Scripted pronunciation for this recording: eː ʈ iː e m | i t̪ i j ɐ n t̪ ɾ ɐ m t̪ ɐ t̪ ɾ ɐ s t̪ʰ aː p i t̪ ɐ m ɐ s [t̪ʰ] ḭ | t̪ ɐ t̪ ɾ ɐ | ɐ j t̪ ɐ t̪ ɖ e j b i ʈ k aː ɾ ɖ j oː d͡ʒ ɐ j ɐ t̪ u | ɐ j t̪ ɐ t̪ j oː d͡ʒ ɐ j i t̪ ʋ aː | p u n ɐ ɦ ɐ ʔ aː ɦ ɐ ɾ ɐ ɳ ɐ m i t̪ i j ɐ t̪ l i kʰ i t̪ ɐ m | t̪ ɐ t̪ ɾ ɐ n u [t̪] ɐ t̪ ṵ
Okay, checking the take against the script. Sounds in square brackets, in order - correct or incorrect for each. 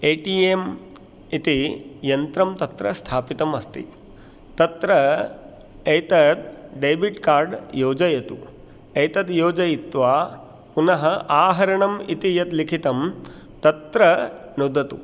incorrect: t̪, incorrect: d̪

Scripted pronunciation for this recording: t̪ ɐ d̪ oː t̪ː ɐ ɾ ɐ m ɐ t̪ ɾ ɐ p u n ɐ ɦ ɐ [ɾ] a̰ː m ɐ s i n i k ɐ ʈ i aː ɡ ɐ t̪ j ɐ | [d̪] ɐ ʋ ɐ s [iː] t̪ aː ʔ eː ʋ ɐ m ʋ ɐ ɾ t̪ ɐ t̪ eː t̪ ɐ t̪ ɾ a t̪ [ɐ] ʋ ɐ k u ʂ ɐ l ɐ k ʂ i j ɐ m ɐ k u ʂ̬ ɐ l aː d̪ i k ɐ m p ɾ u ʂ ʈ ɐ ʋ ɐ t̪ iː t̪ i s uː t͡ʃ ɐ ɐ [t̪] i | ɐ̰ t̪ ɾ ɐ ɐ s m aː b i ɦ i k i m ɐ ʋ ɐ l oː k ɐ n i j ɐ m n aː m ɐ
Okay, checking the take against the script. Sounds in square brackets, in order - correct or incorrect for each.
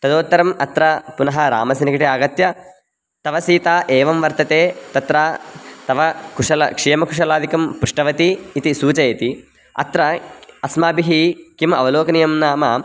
correct, incorrect: t̪, correct, correct, correct

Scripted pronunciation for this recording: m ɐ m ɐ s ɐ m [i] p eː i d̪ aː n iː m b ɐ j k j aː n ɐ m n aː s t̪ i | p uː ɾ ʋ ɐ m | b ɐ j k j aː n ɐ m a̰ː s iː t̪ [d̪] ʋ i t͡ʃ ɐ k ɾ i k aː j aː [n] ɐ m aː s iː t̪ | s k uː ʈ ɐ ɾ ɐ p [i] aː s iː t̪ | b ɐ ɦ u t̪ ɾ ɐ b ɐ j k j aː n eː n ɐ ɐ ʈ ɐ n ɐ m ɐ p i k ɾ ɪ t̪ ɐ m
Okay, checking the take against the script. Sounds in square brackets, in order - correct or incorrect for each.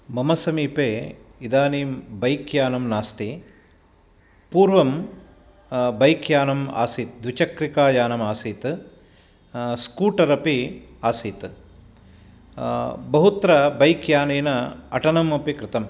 incorrect: iː, correct, correct, correct

